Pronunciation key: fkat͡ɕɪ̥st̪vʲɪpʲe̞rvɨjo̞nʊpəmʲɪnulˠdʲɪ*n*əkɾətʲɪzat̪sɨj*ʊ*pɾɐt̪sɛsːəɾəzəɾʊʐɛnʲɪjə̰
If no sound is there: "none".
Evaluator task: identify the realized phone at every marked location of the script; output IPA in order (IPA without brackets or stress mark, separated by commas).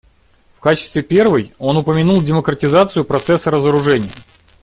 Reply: m, ʊ